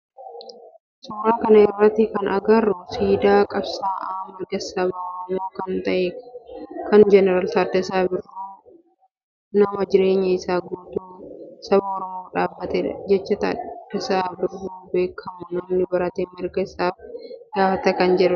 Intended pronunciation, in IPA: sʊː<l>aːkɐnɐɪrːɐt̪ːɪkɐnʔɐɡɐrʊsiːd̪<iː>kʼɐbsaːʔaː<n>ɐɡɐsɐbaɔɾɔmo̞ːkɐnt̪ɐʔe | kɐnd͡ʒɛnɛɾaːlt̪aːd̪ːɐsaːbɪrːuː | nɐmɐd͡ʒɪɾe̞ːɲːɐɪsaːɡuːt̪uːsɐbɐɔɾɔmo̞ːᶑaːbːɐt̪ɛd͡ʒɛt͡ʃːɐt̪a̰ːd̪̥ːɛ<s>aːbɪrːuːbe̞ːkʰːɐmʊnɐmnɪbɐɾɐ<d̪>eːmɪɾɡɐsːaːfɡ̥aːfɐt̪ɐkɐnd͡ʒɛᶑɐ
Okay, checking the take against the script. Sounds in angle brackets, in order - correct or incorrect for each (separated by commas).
incorrect, incorrect, incorrect, correct, incorrect